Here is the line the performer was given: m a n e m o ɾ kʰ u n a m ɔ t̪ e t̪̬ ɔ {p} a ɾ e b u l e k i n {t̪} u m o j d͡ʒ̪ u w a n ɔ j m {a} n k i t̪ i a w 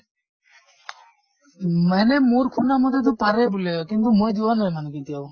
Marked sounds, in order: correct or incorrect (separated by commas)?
correct, correct, correct